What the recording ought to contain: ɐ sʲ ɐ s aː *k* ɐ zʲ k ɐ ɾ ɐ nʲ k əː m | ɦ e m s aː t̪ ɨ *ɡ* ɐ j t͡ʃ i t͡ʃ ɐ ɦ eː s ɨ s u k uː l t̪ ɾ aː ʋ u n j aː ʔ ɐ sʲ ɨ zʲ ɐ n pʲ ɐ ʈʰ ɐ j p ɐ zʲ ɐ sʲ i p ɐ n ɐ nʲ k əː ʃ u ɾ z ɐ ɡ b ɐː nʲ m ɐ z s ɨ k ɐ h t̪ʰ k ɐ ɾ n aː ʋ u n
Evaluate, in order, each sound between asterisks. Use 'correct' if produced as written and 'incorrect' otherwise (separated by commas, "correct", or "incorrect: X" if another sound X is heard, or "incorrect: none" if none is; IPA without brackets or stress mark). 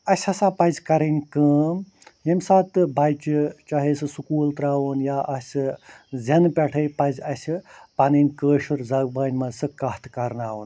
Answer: incorrect: p, incorrect: b